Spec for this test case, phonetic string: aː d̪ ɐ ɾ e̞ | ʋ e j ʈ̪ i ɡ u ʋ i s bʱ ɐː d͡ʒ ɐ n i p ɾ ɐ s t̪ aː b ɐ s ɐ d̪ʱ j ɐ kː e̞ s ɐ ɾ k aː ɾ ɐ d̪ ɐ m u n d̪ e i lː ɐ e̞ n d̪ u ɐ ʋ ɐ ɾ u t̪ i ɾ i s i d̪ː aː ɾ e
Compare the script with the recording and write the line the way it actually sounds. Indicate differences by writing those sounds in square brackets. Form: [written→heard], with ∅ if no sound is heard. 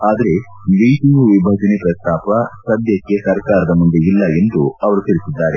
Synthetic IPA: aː d̪ ɐ ɾ e̞ | ʋ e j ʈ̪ i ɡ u ʋ i [s→∅] bʱ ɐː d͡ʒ ɐ n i p ɾ ɐ s t̪ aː [b→p] ɐ s ɐ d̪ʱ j ɐ kː e̞ s ɐ ɾ k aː ɾ ɐ d̪ ɐ m u n d̪ e i lː ɐ e̞ n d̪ u ɐ ʋ ɐ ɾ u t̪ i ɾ i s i d̪ː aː ɾ e